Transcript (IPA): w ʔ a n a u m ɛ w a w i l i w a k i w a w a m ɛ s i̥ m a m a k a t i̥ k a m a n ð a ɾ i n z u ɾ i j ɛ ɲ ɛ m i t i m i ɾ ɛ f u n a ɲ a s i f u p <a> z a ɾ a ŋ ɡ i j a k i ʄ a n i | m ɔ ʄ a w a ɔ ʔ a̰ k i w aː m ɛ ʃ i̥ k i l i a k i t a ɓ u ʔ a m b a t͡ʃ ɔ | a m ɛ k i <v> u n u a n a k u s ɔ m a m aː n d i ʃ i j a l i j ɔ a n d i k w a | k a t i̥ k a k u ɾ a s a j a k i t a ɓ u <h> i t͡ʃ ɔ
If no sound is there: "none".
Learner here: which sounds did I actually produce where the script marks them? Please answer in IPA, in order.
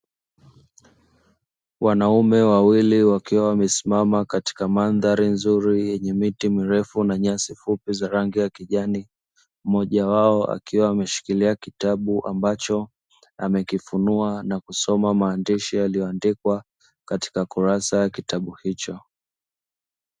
i, f, h

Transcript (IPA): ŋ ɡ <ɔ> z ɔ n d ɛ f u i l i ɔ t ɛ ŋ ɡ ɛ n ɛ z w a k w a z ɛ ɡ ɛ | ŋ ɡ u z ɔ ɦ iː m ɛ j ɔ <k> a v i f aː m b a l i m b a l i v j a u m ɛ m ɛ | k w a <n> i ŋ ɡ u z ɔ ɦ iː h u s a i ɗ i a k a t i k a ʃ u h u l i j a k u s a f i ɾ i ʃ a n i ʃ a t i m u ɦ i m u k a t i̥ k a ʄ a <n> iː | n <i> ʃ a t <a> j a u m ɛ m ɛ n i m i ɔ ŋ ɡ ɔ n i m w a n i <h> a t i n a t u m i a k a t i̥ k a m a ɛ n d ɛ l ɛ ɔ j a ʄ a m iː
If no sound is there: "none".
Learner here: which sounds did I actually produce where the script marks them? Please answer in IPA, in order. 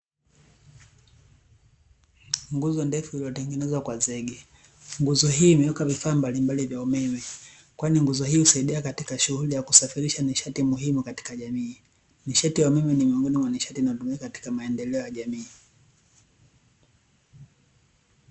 u, k, n, m, i, i, ʃ

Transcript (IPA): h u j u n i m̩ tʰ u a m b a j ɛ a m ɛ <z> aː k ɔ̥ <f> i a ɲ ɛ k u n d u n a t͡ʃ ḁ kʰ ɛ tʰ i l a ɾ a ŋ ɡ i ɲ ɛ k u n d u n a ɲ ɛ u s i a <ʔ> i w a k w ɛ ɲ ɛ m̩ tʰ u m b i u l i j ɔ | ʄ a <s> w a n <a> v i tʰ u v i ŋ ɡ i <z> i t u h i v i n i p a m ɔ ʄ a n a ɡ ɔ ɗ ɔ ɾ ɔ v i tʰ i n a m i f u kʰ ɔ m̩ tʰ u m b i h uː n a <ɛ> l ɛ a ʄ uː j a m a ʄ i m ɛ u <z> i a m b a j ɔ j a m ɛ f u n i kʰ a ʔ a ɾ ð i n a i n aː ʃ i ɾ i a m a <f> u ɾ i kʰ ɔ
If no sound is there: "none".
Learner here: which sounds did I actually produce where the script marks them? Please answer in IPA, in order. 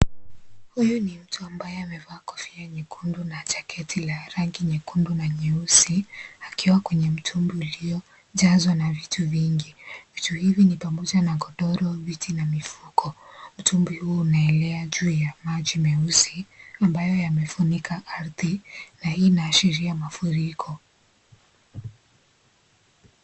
v, f, k, z, a, v, ɛ, s, f

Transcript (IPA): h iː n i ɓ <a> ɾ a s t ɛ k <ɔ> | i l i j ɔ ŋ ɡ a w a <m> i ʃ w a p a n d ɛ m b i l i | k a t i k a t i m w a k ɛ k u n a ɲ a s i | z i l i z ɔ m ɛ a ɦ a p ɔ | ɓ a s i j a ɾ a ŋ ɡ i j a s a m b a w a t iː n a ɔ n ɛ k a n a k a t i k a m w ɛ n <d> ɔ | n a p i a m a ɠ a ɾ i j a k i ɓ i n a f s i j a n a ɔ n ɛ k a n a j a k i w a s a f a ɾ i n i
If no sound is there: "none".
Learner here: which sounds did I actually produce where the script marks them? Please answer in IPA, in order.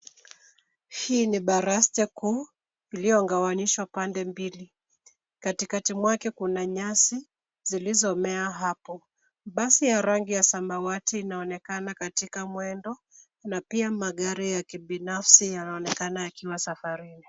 a, u, n, d

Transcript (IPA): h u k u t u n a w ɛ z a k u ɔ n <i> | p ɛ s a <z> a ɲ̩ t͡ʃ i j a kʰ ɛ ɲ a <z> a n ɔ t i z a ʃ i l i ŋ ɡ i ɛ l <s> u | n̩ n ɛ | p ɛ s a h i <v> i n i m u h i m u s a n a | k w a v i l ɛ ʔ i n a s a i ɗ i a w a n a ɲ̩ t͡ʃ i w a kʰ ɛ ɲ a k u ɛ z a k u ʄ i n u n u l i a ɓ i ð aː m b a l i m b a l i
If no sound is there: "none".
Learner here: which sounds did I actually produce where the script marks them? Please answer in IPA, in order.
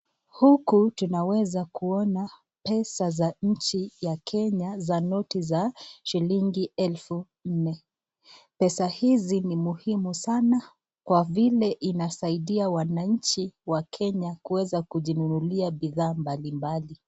a, z, z, f, z

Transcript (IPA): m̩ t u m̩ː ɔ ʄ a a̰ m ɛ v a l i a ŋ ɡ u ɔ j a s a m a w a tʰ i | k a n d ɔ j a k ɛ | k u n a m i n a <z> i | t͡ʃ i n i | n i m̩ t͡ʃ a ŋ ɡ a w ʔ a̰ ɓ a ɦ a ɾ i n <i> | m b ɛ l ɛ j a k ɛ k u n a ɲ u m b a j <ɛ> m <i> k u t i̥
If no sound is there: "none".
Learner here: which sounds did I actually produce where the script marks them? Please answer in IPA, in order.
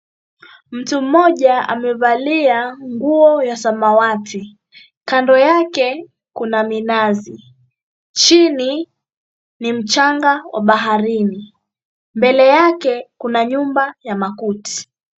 z, i, a, a

